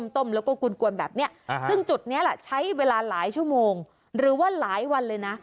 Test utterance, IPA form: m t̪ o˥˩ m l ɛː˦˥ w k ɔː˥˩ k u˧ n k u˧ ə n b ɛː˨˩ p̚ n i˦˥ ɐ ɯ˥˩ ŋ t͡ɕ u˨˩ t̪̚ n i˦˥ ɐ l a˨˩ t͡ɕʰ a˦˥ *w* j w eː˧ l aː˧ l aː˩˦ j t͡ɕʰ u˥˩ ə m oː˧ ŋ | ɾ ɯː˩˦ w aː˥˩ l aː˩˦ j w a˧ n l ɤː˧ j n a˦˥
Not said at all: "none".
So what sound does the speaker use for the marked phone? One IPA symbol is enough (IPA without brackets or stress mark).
none